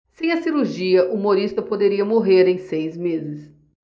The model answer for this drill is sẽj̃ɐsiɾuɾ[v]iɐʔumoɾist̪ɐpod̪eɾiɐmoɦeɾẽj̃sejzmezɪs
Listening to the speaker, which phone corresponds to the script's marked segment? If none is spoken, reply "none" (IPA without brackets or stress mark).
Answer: ʒ